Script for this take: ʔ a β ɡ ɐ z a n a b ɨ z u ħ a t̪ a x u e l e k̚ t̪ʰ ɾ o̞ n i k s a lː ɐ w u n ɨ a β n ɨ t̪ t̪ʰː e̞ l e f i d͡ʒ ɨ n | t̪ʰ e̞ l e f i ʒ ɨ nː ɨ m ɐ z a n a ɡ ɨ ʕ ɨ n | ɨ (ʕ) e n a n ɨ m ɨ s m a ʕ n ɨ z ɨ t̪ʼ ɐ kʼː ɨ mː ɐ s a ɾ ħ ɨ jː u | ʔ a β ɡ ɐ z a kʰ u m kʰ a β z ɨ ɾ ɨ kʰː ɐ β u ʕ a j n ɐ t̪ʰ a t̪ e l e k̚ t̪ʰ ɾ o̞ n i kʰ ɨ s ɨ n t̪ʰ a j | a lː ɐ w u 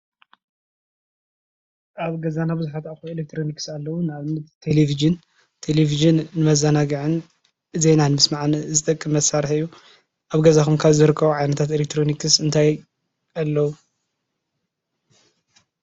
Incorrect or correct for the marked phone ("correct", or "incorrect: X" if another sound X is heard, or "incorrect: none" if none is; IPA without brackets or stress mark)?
incorrect: z